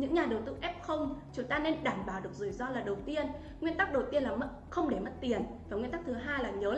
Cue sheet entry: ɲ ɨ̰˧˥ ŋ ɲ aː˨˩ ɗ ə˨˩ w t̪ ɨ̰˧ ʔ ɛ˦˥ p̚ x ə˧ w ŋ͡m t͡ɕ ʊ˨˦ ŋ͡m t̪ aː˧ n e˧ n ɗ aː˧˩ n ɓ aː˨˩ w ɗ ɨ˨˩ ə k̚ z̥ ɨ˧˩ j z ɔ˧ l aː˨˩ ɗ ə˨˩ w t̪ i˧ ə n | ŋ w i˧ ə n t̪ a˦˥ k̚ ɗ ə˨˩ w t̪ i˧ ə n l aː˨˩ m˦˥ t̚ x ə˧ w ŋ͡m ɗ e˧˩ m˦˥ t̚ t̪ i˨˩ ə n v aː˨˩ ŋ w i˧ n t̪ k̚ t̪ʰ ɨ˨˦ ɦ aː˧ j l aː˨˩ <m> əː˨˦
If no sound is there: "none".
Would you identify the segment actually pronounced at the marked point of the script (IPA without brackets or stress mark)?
ɲ